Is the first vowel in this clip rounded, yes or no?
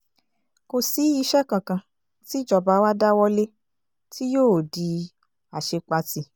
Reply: yes